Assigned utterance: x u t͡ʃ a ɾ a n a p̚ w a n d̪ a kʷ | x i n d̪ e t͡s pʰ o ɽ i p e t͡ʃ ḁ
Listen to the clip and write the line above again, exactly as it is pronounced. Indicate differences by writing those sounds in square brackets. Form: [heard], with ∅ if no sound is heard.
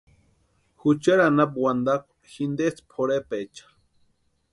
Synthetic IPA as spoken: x u t͡ʃ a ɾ a n a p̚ w a n d̪ a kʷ | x i n d̪ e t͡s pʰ o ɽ [e] p e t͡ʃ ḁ